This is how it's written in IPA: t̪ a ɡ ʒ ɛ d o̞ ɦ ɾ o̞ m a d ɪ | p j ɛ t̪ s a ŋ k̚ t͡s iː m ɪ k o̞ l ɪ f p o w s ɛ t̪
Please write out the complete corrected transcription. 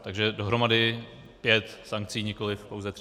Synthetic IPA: t̪ a ɡ ʒ ɛ d o̞ ɦ ɾ o̞ m a d ɪ | p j ɛ t̪ s a ŋ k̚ t͡s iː ɲ ɪ k o̞ l ɪ f p o w z ɛ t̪